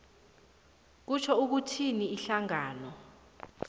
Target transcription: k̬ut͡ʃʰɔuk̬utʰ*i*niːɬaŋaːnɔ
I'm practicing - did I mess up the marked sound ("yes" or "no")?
no